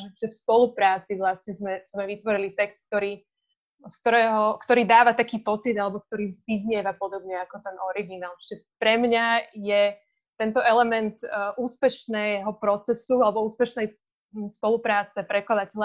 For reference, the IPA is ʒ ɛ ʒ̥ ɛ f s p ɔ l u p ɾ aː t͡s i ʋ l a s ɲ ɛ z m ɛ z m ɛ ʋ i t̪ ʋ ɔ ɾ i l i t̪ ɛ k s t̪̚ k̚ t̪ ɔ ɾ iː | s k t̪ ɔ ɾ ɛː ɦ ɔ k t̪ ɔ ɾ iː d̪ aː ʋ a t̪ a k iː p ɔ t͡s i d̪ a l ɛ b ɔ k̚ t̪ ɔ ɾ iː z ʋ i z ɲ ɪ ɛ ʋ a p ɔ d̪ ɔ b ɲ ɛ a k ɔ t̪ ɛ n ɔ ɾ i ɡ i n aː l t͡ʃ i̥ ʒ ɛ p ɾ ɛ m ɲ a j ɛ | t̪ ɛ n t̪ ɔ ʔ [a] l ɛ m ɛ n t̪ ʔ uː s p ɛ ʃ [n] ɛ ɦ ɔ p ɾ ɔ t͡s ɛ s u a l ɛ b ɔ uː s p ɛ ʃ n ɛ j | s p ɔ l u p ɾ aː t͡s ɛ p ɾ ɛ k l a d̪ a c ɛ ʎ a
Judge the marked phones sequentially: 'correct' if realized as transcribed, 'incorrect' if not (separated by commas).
incorrect, correct